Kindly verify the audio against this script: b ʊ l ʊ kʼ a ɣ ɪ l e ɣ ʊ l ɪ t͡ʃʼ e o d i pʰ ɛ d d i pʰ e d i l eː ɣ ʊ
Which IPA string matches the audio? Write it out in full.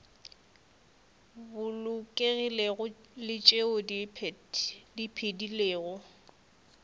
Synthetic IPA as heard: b ʊ l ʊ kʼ e ɣ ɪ l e ɣ ʊ l ɪ t͡ʃʼ e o d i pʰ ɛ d d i pʰ e d i l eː ɣ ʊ